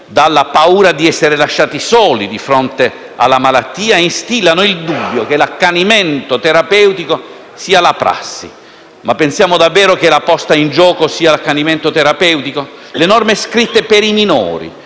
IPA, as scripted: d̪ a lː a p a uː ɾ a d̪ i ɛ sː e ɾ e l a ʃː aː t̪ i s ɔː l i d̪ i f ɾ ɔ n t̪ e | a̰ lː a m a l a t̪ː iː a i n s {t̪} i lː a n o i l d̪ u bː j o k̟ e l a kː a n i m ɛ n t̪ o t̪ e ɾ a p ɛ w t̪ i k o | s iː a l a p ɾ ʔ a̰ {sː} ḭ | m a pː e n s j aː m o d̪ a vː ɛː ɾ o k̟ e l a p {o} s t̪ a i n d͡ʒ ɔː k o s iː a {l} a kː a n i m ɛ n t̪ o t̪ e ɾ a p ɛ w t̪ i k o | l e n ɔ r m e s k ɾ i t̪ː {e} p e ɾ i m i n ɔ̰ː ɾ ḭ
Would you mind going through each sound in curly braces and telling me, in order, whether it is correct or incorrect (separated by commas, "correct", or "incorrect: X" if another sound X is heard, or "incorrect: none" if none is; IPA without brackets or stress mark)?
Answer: correct, correct, incorrect: ɔ, correct, correct